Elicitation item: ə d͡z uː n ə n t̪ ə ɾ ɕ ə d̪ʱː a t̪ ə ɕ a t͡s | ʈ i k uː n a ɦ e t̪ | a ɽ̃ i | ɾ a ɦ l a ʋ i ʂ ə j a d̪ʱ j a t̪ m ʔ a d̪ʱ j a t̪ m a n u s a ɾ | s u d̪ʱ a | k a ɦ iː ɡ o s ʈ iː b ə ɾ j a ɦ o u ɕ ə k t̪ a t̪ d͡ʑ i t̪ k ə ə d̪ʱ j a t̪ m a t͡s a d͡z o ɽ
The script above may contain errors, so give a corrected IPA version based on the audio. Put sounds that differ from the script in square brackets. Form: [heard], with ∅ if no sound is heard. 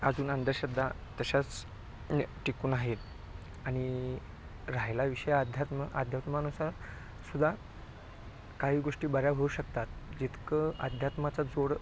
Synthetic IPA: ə d͡z uː n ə n [d̪] ə ɾ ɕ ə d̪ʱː a t̪ ə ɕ a t͡s | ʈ i k uː n a ɦ e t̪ | a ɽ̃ i | ɾ a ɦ l a ʋ i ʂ ə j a d̪ʱ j a t̪ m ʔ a d̪ʱ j a t̪ m a n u s a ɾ | s u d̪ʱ a | k a ɦ iː ɡ o [ʂ] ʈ iː b ə ɾ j a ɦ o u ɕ ə k t̪ a t̪ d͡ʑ i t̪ k ə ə d̪ʱ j a t̪ m a t͡s a d͡z o ɽ